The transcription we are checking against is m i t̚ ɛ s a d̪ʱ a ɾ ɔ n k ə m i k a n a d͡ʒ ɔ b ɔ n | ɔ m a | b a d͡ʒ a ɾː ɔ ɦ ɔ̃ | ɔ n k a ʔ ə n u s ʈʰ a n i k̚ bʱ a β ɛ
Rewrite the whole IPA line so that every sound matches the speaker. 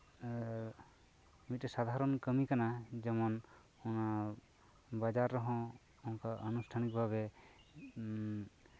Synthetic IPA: m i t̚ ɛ s a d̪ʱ a ɾ ɔ n k ə m i k a n a d͡ʒ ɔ m ɔ n | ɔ n a | b a d͡ʒ a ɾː ɔ ɦ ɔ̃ | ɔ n k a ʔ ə n u s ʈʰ a n i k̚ bʱ a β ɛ